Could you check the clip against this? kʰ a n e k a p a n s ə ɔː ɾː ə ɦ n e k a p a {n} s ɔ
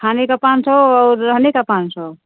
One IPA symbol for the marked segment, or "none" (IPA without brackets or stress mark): n